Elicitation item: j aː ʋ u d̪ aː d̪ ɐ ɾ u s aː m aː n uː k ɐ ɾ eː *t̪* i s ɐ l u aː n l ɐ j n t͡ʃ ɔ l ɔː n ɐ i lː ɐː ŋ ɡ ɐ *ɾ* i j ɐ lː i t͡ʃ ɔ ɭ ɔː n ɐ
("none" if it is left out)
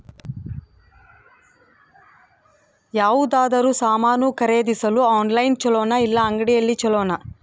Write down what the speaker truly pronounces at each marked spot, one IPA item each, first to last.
d̪, ɽ

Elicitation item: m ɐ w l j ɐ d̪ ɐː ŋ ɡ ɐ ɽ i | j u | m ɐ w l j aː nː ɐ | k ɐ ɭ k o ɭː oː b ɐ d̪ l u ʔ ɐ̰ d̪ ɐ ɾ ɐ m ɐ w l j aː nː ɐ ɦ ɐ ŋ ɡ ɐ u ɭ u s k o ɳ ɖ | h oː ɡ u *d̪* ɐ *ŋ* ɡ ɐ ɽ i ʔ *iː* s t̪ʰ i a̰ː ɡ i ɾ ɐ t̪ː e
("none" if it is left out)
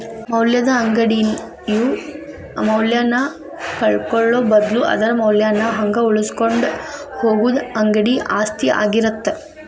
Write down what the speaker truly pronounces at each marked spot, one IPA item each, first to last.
d̪, ŋ, aː

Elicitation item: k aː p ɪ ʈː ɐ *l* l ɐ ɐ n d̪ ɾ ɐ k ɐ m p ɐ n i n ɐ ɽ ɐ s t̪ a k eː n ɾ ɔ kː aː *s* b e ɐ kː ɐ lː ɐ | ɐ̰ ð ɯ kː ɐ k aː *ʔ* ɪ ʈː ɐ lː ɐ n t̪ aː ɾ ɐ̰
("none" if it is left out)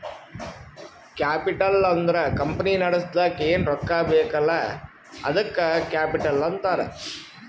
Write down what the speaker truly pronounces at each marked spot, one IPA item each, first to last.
l, none, p

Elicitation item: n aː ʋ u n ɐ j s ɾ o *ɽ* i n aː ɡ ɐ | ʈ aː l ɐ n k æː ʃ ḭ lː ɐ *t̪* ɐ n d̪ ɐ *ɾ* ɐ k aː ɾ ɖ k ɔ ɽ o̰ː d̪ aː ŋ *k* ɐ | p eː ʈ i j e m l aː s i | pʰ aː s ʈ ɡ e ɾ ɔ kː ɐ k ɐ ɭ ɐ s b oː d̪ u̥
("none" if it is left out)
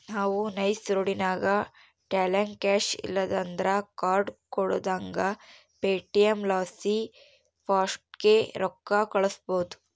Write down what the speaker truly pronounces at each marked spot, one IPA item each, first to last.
ɽ, d̪, ɾ, ɡ

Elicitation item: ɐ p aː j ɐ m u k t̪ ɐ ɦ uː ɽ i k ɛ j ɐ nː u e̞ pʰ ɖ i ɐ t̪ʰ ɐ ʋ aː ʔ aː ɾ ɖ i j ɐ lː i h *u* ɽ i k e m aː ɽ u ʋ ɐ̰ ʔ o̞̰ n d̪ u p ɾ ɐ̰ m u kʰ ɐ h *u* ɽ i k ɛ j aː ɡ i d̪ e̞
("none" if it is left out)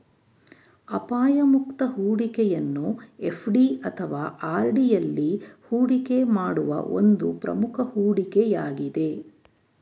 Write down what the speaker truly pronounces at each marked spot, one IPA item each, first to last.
uː, uː

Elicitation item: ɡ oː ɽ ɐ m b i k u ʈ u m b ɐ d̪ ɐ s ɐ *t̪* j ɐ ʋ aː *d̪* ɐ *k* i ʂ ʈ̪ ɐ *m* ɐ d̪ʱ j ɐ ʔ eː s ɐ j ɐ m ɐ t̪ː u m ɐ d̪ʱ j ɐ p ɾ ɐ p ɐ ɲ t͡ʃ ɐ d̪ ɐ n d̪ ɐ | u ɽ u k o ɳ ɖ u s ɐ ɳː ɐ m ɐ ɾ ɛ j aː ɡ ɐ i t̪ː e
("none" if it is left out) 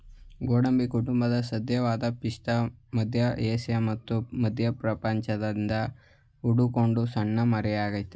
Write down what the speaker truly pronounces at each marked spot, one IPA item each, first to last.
d̪, d̪, p, m

